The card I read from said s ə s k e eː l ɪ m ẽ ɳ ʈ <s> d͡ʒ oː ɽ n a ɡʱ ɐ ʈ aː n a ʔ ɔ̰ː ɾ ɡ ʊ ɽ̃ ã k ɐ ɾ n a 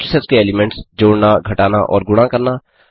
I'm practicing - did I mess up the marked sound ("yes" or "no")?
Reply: no